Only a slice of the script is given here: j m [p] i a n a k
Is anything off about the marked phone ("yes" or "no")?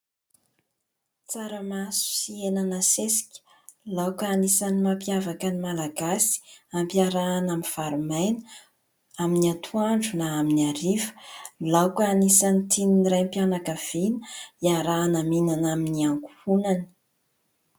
no